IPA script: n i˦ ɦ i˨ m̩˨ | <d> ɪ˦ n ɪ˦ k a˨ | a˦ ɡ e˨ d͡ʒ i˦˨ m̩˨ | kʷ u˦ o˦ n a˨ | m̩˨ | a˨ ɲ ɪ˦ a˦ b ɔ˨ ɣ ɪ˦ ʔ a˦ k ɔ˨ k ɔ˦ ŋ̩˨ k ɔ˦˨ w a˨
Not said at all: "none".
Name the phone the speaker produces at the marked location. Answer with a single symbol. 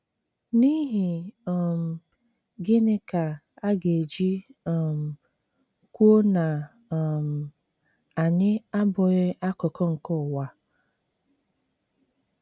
ɡ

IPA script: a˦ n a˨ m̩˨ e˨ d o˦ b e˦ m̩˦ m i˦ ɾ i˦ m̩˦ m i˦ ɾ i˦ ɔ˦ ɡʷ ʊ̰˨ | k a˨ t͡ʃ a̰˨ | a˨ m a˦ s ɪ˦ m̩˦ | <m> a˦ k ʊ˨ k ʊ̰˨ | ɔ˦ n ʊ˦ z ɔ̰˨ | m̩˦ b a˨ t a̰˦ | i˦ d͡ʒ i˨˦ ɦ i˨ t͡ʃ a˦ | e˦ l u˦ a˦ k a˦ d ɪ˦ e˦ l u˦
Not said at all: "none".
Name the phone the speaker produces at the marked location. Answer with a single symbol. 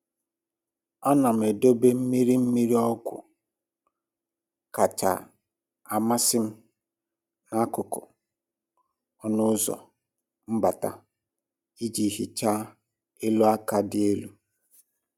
n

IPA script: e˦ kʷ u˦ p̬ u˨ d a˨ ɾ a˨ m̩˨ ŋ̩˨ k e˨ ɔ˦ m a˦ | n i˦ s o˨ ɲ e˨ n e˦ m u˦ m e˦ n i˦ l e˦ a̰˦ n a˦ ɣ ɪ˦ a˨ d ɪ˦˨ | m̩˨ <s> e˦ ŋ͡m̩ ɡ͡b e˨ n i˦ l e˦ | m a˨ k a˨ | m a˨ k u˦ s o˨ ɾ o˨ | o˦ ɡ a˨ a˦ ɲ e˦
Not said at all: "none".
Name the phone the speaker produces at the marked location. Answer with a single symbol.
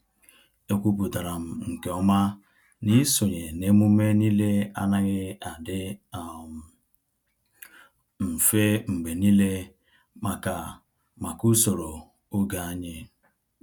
f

